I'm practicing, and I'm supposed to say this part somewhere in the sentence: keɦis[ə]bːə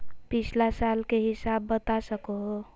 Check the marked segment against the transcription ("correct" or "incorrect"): incorrect